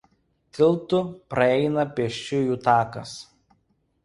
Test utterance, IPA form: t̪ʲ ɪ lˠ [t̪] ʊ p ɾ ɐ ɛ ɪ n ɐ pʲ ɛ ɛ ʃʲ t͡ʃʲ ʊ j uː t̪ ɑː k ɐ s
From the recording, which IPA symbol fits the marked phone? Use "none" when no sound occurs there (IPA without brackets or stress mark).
t̪